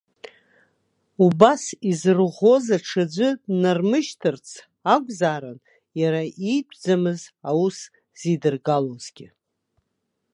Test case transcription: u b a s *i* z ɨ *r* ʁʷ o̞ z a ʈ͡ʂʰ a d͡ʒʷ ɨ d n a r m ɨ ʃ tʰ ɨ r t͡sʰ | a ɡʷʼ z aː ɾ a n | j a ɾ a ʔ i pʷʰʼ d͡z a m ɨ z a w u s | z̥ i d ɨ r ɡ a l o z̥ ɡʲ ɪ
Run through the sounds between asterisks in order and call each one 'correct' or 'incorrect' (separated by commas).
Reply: correct, correct